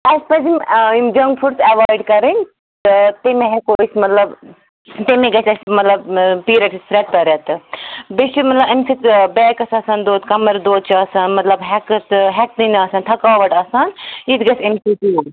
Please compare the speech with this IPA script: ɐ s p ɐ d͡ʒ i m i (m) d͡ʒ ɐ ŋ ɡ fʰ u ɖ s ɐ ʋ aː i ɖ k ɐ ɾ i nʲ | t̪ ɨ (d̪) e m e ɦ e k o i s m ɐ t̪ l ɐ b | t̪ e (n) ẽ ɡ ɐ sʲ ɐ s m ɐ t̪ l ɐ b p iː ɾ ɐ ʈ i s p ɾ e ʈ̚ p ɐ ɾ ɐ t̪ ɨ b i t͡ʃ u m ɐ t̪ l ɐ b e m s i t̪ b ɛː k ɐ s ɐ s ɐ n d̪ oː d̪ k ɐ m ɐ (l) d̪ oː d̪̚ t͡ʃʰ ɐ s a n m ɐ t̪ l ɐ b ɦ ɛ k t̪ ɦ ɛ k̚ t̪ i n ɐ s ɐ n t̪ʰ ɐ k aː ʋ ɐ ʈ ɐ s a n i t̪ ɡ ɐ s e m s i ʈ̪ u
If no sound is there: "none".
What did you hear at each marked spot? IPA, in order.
m, t̪, m, ɾ

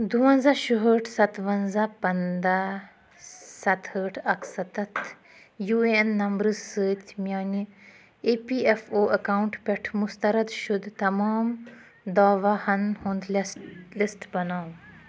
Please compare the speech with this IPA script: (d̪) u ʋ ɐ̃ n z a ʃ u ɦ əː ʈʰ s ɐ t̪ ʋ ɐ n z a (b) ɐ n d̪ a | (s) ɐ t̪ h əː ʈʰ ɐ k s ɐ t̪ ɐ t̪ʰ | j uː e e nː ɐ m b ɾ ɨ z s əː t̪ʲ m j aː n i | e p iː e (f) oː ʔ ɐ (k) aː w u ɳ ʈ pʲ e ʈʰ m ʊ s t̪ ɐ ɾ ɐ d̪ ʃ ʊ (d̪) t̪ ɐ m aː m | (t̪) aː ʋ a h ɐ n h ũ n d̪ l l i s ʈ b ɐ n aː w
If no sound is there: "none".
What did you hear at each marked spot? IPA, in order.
d̪, p, s, f, k, d̪, d̪

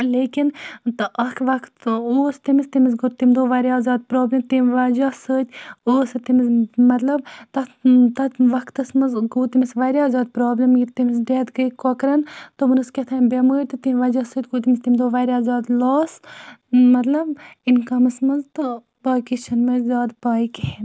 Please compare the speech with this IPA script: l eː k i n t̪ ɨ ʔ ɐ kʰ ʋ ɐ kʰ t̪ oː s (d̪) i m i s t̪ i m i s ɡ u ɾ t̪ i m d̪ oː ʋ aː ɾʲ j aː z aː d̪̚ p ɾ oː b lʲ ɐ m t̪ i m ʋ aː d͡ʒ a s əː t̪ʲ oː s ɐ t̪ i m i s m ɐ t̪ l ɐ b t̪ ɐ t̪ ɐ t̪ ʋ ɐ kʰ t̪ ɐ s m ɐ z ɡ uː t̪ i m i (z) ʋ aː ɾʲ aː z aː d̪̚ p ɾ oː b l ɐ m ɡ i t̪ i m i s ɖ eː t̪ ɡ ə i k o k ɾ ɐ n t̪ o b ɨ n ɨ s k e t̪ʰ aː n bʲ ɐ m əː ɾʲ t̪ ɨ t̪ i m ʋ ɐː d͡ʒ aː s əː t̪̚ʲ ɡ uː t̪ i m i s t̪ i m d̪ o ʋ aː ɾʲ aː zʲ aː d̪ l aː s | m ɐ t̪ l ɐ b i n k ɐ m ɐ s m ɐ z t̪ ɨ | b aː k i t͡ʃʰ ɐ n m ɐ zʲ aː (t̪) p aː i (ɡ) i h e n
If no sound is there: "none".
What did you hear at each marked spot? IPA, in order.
t̪, s, d̪, k

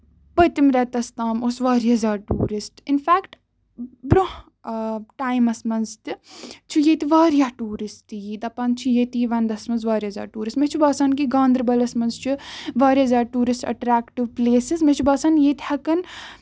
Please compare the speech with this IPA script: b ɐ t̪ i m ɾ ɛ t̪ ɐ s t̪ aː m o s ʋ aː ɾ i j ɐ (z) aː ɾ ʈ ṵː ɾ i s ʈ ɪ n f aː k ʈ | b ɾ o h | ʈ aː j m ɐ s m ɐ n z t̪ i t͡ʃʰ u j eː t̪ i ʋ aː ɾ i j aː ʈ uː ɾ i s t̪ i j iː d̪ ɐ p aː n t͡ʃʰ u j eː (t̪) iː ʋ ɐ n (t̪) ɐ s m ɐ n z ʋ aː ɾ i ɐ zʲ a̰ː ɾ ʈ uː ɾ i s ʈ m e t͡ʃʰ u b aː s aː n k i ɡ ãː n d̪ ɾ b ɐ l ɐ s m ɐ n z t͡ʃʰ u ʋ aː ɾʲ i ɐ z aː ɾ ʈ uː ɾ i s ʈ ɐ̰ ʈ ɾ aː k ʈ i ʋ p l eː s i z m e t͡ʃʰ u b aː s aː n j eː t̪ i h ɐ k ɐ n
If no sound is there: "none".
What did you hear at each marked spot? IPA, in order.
z, t̪, d̪

